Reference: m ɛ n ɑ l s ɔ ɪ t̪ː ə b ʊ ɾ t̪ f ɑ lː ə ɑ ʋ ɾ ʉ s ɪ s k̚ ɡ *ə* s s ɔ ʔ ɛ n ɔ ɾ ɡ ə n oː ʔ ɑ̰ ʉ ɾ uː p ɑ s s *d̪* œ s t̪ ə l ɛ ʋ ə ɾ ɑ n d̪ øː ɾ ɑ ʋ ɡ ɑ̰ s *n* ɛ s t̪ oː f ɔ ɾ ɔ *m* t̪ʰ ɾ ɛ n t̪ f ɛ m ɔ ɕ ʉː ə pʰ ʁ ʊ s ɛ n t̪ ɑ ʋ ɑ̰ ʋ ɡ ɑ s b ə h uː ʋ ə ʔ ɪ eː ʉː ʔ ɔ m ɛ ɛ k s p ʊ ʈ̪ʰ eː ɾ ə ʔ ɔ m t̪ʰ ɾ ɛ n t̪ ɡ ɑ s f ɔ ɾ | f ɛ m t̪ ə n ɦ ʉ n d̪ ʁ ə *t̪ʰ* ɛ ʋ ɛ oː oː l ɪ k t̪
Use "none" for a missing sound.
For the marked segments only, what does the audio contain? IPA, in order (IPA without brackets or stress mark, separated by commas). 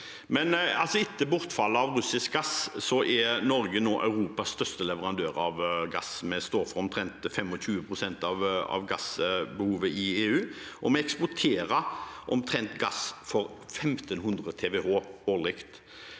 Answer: ɑ, t̪, m, m, t̪ʰ